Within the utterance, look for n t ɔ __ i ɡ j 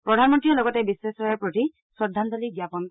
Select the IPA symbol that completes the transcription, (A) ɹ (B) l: B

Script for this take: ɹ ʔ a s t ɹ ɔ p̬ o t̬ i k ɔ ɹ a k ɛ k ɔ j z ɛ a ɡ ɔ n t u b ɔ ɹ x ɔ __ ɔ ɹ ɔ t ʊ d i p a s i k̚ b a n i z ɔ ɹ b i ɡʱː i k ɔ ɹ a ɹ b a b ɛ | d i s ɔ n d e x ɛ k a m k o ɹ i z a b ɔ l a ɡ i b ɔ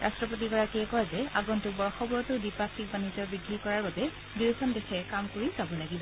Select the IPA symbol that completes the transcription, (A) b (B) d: A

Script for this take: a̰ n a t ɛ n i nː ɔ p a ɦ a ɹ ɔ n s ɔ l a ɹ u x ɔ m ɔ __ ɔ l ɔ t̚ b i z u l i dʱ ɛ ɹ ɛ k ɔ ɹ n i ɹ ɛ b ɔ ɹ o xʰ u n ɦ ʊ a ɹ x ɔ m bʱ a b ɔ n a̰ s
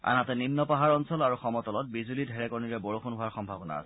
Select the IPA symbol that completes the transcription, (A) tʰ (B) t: B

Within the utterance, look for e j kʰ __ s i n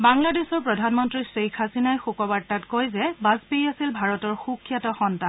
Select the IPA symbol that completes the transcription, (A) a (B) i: A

